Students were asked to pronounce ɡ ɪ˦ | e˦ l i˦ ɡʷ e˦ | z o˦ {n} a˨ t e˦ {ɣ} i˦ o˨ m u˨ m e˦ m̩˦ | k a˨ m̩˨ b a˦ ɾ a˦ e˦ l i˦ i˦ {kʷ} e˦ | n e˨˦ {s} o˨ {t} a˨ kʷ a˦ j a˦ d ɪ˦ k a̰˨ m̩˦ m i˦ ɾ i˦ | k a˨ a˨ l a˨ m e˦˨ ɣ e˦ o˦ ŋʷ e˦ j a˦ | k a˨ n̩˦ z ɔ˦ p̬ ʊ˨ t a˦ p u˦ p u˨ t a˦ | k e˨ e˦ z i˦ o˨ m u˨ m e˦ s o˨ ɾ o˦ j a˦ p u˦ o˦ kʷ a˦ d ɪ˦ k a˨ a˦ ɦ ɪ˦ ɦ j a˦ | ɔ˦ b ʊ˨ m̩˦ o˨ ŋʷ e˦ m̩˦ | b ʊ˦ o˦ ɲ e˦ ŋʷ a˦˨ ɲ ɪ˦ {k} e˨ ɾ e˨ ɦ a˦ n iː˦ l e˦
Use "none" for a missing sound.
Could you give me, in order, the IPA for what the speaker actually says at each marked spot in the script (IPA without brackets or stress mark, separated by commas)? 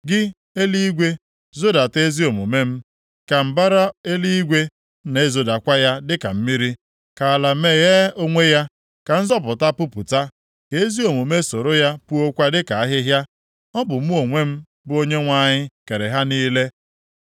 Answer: d, z, ɡʷ, z, d, k